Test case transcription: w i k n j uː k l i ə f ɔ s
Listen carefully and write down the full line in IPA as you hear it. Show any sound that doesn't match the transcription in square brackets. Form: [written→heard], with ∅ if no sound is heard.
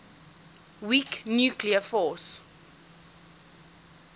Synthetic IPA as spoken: w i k n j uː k l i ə f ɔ s